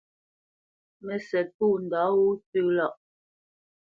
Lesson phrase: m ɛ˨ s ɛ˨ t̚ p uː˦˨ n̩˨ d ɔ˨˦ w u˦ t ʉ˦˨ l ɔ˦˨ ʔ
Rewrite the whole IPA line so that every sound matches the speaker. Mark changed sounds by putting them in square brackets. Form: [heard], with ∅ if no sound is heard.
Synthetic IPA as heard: m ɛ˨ s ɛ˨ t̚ p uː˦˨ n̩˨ d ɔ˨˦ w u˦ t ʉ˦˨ l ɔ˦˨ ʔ